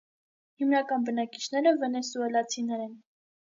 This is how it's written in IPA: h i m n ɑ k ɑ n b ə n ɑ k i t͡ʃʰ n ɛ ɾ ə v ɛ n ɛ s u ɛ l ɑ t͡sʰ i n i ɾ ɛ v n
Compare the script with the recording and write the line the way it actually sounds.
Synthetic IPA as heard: h i m n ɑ k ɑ n b ə n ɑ k i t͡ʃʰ n ɛ ɾ ə v ɛ n ɛ s u ɛ l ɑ t͡sʰ i n ɛ ɾ ɛ n

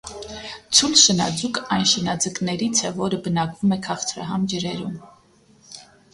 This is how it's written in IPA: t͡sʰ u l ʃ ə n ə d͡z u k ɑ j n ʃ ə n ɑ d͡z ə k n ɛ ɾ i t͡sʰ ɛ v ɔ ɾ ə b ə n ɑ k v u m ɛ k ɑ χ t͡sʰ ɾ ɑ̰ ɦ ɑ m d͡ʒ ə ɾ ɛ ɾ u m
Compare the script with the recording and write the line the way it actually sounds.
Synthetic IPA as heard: t͡sʰ u l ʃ ə n ɑ d͡z u k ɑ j n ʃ ə n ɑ d͡z ə k n ɛ ɾ i t͡sʰ ɛ v ɔ ɾ ə b ə n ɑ k v u m ɛ kʰ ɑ χ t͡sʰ ɾ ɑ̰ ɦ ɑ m d͡ʒ ə ɾ ɛ ɾ u m

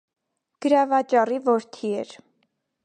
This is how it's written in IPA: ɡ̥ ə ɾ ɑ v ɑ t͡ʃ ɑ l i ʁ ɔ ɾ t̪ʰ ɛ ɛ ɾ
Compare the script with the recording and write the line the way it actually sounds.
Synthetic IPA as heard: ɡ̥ ə ɾ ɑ v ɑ t͡ʃ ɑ r i v ɔ ɾ t̪ʰ i ɛ ɾ

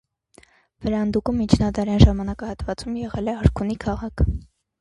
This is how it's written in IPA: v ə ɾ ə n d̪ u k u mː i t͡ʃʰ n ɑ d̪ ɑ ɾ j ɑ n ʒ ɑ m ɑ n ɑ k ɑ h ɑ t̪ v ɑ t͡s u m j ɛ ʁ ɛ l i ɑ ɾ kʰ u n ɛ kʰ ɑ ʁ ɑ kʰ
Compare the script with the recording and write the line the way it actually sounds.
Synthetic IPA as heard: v ə ɾ ɑ n d̪ u k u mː i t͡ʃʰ n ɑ d̪ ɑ ɾ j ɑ n ʒ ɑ m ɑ n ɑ k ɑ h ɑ t̪ v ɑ t͡s u m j ɛ ʁ ɛ l ɛ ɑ ɾ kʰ u n i kʰ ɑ ʁ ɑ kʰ

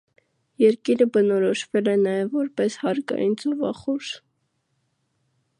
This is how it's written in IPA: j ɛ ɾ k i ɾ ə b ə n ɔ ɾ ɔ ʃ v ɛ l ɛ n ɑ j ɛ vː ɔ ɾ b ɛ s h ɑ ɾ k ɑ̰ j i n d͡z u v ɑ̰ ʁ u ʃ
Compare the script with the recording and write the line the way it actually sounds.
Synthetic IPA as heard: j ɛ ɾ k i ɾ ə b ə n ɔ ɾ ɔ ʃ v ɛ l ɛ n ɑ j ɛ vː ɔ ɾ p ɛ s h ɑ ɾ k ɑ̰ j i n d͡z ɔ v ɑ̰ χ u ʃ

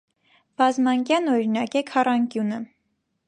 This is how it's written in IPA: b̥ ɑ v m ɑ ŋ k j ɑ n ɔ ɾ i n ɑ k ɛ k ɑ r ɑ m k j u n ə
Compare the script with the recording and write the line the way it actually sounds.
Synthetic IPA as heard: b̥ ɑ z m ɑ ŋ k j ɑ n ɔ ɾ i n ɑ k ɛ kʰ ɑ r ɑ ŋ k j u n ə

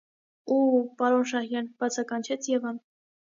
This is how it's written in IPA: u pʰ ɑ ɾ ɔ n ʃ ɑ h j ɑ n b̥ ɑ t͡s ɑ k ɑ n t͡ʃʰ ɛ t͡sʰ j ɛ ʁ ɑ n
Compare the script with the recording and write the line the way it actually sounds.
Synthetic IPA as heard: u p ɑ ɾ ɔ n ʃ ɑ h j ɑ n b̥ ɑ t͡sʰ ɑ k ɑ n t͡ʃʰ ɛ t͡sʰ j ɛ v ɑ n

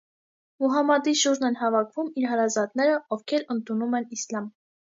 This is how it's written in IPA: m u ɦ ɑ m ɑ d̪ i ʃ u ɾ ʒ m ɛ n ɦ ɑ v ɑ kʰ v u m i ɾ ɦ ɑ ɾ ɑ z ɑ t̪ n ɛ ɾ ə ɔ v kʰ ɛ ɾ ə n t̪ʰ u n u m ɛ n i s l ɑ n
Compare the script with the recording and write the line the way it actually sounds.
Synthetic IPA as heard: m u ɦ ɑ m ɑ d̪ i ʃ u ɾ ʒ n ɛ n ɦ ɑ v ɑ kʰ v u m i ɾ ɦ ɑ ɾ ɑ z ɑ t̪ n ɛ ɾ ə ɔ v kʰ ɛ ɾ ə n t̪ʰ u n u m ɛ n i s l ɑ m

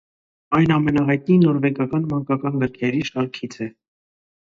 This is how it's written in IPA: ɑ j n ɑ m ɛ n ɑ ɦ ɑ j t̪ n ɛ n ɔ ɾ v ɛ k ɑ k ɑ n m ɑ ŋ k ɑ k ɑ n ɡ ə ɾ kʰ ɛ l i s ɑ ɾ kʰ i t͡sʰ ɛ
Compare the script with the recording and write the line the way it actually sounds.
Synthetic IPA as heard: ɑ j n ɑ m ɛ n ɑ ɦ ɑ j t̪ n i n ɔ ɾ v ɛ k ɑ k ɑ n m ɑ ŋ k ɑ k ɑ n ɡ ə ɾ kʰ ɛ ɾ i ʃ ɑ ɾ kʰ i t͡sʰ ɛ

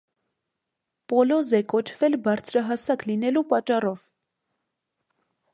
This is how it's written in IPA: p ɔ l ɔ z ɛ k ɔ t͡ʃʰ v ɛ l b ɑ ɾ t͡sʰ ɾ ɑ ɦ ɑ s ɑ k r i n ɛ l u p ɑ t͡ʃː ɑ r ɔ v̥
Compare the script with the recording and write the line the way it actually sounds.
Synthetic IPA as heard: p ɔ l ɔ z ɛ k ɔ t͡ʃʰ v ɛ l b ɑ ɾ t͡sʰ ɾ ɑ ɦ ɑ s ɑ k l i n ɛ l u p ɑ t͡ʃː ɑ r ɔ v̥

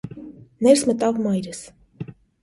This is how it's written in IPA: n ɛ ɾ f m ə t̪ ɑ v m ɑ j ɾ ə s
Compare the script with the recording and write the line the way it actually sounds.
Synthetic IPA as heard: n ɛ ɾ s m ə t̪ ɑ v m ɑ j ɾ ə s

